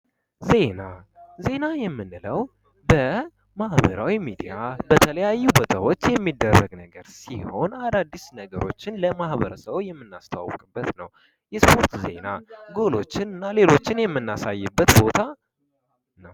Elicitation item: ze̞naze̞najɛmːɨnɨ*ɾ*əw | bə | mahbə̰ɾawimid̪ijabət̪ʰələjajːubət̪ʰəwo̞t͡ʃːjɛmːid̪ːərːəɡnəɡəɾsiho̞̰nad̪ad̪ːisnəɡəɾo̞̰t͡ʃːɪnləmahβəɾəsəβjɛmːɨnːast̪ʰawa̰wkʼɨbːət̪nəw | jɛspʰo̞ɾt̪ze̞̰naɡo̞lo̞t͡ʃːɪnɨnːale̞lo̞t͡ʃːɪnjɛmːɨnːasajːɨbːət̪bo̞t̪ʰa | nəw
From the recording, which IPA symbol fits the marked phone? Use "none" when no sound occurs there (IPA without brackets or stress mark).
l